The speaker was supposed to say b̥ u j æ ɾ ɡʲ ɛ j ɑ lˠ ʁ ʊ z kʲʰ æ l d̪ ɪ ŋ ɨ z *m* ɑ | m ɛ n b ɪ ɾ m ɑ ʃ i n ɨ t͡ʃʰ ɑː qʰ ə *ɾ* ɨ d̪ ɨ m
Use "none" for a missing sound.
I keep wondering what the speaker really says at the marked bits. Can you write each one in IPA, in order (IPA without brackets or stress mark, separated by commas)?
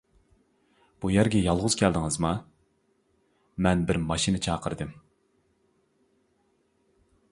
m, ɾ